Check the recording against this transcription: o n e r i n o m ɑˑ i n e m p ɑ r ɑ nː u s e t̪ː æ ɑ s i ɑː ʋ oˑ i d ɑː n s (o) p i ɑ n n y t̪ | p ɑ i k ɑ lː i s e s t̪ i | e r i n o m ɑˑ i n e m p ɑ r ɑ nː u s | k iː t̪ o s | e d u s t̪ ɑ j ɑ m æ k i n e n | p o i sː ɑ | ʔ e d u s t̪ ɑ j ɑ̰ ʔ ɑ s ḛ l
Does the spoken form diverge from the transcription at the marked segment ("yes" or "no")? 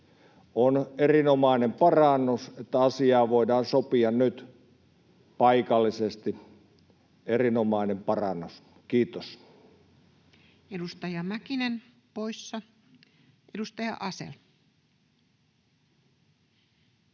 no